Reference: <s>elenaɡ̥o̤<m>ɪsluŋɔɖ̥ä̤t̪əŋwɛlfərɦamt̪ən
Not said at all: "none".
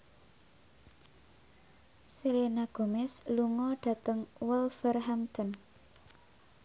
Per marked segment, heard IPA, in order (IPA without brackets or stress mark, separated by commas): s, m